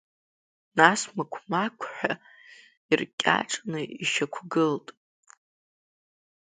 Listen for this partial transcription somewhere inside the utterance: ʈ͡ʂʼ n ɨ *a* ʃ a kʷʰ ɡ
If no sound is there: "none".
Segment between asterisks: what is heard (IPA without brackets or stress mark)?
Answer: i